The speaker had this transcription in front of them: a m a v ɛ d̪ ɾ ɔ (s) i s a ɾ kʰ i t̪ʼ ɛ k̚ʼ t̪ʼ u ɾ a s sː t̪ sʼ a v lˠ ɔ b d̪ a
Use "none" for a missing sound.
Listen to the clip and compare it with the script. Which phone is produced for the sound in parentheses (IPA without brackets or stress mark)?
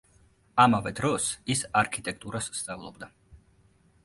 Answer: s